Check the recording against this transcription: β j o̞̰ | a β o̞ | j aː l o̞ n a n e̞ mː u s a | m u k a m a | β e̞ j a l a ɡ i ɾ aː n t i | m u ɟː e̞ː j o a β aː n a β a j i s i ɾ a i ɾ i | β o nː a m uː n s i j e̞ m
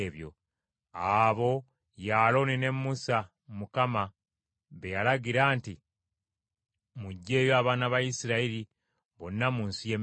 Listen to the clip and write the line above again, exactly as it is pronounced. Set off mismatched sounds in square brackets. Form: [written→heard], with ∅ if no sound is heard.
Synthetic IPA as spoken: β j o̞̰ | a β o̞ | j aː l o̞ n [a→i] n e̞ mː u s a | m u k a m a | β e̞ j a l a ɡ i ɾ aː n t i | m u ɟː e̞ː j o a β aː n a β a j i s i ɾ a i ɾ i | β o nː a m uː n s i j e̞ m